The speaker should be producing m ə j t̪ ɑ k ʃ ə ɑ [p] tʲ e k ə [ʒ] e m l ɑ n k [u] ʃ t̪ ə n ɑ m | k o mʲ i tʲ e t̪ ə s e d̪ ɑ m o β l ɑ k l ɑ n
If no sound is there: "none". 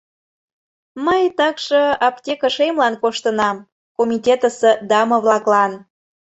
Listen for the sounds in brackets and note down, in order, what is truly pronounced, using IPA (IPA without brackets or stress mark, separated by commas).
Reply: p, ʃ, o